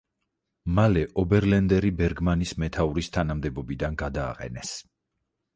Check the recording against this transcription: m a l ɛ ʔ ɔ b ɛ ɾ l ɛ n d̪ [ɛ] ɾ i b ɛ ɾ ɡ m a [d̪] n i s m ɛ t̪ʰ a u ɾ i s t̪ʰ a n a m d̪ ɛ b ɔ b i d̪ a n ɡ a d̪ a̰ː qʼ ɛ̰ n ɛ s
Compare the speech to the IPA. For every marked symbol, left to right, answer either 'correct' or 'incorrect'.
correct, incorrect

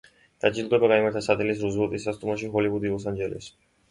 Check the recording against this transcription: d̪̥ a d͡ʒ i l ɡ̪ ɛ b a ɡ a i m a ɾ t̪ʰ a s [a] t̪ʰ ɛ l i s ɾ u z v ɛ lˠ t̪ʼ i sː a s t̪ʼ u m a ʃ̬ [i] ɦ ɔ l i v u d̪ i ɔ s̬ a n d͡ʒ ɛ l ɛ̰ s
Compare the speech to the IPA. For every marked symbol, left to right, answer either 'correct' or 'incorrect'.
correct, correct

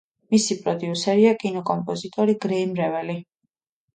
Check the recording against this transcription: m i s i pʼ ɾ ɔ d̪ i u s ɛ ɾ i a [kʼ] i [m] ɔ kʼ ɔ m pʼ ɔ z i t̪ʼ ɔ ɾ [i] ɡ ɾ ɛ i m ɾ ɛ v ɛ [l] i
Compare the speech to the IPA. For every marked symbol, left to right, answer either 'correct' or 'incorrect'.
correct, incorrect, correct, correct

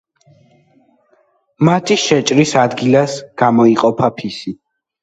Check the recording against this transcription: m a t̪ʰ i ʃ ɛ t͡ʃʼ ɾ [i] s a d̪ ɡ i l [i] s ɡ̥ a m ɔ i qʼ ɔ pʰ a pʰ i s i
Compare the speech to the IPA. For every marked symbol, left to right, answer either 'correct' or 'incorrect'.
correct, incorrect

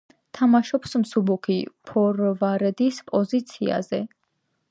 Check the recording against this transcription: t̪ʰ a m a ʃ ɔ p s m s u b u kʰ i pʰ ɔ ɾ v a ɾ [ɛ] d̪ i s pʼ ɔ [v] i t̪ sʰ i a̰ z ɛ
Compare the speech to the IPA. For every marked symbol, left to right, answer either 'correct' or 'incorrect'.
correct, incorrect

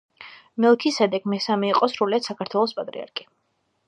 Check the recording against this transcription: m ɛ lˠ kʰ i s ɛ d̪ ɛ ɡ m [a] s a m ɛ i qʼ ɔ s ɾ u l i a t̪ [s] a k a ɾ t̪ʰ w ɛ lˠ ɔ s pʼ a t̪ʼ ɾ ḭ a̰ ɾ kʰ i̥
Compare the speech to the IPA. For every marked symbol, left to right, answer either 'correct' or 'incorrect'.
incorrect, correct

